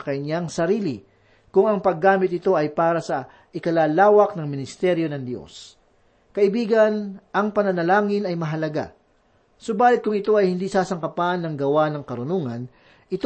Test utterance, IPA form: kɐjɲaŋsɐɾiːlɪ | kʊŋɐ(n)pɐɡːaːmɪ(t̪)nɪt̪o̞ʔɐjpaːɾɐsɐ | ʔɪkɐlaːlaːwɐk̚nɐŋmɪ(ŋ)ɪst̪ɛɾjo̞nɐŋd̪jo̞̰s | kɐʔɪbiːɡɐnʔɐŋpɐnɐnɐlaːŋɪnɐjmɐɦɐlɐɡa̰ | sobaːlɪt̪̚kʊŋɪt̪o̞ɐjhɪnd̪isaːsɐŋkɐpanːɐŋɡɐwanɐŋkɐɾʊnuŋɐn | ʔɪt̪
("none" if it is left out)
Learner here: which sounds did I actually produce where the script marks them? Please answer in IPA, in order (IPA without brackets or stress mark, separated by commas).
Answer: ŋ, t̪, n